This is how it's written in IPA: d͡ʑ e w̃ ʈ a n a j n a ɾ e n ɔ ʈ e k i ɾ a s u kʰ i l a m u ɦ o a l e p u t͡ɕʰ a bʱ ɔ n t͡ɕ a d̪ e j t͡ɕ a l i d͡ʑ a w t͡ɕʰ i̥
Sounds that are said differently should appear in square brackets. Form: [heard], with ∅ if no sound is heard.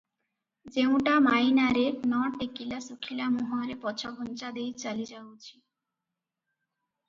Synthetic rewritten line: d͡ʑ e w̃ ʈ a [m] a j n a ɾ e n ɔ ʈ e k i [l] a s u kʰ i l a m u ɦ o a [ɾ] e p [ɔ] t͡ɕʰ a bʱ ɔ n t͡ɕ a d̪ e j t͡ɕ a l i d͡ʑ a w t͡ɕʰ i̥

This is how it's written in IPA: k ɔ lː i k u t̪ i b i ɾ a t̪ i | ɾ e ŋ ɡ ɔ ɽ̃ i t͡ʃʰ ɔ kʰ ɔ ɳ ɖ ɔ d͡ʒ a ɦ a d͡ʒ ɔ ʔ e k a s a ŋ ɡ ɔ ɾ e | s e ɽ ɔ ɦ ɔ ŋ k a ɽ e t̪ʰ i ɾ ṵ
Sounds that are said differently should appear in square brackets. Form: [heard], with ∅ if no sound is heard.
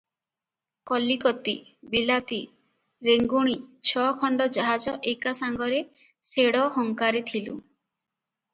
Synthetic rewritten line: k ɔ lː i k [ɔ] t̪ i b i [l] a t̪ i | ɾ e ŋ ɡ [u] ɽ̃ i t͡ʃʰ ɔ kʰ ɔ ɳ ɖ ɔ d͡ʒ a ɦ a d͡ʒ ɔ ʔ e k a s a ŋ ɡ ɔ ɾ e | s e ɽ ɔ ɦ ɔ ŋ k a [ɾ] e t̪ʰ i [l] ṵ

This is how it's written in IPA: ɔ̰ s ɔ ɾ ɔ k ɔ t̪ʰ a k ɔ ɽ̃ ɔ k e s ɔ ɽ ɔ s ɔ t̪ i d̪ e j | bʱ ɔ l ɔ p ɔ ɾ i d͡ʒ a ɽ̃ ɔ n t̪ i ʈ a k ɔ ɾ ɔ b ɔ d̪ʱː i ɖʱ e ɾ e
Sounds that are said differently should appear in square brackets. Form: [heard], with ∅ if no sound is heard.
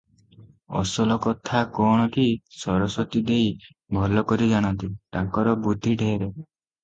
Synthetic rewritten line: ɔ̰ s ɔ [l] ɔ k ɔ t̪ʰ a k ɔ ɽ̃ ɔ k [i] s ɔ [ɾ] ɔ s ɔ t̪ i d̪ e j | bʱ ɔ l ɔ [k] ɔ ɾ i d͡ʒ a ɽ̃ ɔ n t̪ i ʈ a k ɔ ɾ ɔ b [u] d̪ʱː i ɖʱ e ɾ e

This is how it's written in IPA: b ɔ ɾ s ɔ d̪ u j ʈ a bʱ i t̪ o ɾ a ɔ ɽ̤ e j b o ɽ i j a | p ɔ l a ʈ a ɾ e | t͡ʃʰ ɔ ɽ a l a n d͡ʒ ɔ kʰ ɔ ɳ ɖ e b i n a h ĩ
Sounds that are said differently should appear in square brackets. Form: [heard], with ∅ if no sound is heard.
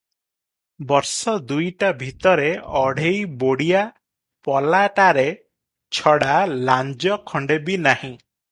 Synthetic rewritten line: b ɔ ɾ s ɔ d̪ u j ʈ a bʱ i t̪ [ɔ] ɾ [e] ɔ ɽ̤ e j b o ɽ i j a | p ɔ l a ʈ a ɾ e | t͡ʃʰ ɔ ɽ a l a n d͡ʒ ɔ kʰ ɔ ɳ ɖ e b i n a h ĩ

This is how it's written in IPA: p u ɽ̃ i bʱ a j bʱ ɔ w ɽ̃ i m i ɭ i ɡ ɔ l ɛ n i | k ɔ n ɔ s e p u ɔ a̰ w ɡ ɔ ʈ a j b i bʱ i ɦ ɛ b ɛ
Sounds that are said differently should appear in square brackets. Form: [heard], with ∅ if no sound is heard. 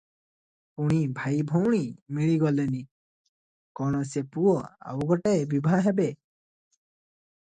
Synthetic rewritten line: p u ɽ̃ i bʱ a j bʱ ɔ w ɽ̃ i m i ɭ i ɡ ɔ l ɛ n i | k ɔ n ɔ s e p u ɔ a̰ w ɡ ɔ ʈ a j b i bʱ [a] ɦ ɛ b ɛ

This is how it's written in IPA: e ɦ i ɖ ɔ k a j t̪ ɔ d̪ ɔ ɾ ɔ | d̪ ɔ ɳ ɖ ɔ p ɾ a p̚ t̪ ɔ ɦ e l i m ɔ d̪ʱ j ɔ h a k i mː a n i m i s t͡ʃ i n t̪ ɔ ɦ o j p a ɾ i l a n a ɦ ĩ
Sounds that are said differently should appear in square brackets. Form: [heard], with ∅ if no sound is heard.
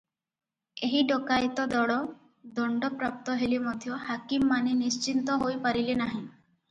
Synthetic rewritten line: e ɦ i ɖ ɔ k a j t̪ ɔ d̪ ɔ [ɽ] ɔ | d̪ ɔ ɳ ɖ ɔ p ɾ a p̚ t̪ ɔ ɦ e l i m ɔ d̪ʱ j ɔ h a k i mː a n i [n] i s t͡ʃ i n t̪ ɔ ɦ o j p a ɾ i l [e] n a ɦ ĩ

